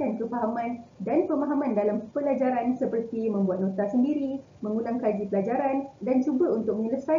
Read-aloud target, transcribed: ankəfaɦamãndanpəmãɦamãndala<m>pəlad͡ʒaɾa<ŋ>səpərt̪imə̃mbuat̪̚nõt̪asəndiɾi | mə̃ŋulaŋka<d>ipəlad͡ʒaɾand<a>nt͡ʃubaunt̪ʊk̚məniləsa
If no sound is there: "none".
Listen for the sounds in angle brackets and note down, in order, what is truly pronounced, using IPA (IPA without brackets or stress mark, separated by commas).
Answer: m, n, d͡ʒ, a